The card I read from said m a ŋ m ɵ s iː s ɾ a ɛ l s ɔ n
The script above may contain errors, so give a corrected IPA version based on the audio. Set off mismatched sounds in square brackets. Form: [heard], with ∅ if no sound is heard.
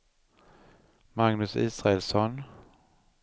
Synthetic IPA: m a ŋ [n] ɵ s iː s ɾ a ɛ l s ɔ n